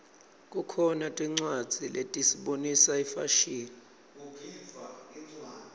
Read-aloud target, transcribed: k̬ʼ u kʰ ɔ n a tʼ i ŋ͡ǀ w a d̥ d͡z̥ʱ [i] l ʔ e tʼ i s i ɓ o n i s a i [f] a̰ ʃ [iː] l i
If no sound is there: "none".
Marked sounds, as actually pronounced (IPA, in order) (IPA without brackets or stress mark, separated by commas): i, f, iː